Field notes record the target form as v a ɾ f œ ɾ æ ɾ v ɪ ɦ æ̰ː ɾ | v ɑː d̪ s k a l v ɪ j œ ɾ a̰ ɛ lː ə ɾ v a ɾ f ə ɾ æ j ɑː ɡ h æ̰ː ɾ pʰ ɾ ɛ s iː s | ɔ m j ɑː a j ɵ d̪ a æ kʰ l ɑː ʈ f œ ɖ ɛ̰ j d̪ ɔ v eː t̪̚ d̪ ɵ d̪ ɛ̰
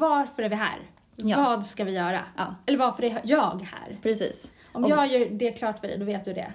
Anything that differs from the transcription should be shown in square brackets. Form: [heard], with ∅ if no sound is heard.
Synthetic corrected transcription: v a ɾ f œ ɾ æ ɾ v ɪ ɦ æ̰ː ɾ | v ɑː d̪ s k a [∅] v ɪ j [œː] ɾ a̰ ɛ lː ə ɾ v a ɾ f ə ɾ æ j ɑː ɡ h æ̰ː ɾ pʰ ɾ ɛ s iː s | ɔ m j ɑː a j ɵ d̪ [ɛ] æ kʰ l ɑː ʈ f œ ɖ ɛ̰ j d̪ ɔ v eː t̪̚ d̪ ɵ d̪ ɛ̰